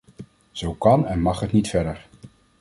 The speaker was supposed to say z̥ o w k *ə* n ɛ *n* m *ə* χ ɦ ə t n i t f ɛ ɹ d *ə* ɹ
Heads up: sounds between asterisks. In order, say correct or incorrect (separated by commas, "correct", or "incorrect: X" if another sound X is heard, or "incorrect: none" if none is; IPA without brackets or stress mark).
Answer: incorrect: ɑ, correct, incorrect: ɑ, correct